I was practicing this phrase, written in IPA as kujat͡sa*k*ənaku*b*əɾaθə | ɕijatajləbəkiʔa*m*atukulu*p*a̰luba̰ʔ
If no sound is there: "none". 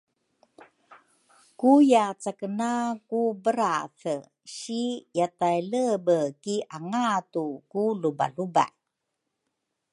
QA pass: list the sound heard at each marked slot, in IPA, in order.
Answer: k, b, ŋ, b

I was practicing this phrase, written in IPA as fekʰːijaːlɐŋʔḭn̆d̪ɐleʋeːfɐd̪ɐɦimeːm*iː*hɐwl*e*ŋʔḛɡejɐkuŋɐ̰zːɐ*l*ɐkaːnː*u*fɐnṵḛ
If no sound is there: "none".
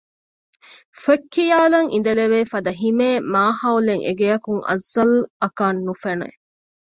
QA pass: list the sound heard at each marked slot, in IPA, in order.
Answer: aː, e, l, u

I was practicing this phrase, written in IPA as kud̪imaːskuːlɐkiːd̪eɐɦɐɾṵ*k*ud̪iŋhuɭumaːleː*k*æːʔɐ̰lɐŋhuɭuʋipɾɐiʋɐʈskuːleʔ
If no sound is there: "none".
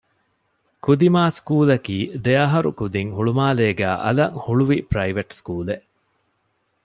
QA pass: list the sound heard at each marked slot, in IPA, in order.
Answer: k, ɡ

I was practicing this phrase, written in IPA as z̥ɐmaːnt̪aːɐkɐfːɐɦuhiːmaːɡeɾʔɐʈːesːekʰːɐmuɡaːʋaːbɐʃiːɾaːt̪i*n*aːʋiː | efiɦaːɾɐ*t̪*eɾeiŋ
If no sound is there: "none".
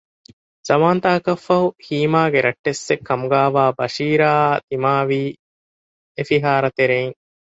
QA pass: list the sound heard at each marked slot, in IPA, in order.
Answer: m, t̪

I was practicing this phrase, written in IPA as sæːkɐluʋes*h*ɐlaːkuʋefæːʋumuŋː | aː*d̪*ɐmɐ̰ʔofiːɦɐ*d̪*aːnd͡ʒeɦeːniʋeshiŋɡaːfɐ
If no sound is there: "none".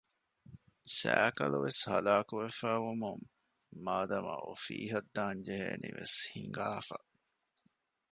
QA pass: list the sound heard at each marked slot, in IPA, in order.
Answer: h, d̪, d̪ː

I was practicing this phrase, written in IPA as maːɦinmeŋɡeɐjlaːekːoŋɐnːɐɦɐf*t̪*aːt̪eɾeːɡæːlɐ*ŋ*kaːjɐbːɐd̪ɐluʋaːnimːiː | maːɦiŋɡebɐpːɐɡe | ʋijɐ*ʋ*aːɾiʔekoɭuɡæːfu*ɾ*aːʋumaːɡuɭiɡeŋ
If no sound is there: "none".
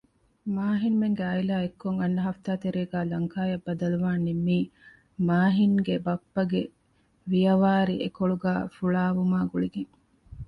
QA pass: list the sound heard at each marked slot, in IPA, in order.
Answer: t̪, ŋ, ʋ, ɭ

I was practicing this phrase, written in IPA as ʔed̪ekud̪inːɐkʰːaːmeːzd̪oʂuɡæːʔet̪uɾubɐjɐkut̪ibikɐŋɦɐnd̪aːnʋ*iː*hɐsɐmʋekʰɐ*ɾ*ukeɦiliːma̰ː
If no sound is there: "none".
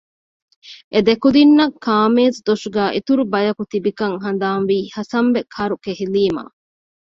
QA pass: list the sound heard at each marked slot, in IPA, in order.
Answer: iː, ɾ

